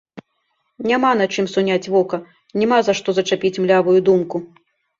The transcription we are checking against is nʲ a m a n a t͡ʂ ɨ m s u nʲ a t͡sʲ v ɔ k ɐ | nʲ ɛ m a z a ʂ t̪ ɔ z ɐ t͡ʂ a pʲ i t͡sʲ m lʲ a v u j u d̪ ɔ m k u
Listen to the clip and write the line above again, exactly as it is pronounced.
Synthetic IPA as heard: nʲ a m a n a t͡ʂ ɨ m s u nʲ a t͡sʲ v ɔ k ɐ | nʲ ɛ m a z a ʂ t̪ ɔ z ɐ t͡ʂ a pʲ i t͡sʲ m lʲ a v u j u d̪ u m k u